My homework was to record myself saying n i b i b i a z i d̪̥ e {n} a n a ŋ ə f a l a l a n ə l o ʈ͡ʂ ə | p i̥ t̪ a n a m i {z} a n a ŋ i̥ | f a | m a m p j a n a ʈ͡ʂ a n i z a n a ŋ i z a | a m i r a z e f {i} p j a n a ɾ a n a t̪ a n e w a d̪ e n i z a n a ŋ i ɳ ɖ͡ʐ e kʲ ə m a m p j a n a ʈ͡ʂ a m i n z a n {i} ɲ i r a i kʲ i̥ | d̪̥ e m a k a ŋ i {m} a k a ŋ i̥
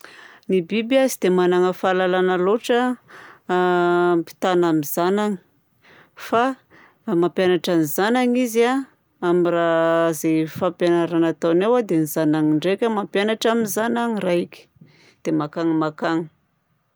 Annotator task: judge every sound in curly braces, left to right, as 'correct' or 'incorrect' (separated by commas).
incorrect, correct, incorrect, incorrect, correct